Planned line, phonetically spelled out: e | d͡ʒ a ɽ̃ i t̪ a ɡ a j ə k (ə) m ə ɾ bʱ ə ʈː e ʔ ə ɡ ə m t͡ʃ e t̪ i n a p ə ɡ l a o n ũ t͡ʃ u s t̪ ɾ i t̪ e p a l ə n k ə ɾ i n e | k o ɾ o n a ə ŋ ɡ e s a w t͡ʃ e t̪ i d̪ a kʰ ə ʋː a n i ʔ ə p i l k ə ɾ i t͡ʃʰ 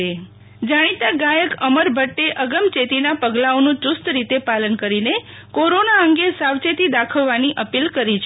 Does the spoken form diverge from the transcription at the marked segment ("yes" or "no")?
no